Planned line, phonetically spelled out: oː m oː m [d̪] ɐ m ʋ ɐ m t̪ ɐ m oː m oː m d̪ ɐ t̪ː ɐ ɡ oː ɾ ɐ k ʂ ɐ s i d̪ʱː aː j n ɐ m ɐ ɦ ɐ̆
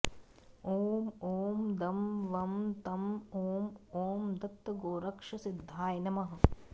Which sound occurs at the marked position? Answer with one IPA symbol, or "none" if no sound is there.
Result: d̪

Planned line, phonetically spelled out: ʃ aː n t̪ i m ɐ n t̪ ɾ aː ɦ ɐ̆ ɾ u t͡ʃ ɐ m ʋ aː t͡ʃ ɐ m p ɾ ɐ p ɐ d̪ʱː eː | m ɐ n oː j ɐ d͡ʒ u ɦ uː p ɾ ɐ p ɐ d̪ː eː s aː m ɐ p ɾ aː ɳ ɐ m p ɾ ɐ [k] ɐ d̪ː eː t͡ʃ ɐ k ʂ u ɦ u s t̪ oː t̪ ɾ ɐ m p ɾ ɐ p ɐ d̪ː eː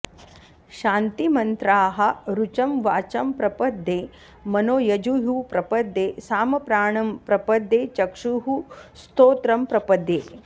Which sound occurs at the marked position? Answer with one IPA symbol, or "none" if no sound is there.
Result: p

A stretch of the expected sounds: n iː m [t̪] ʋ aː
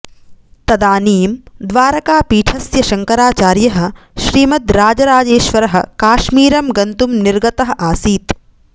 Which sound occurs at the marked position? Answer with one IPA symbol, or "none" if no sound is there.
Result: d̪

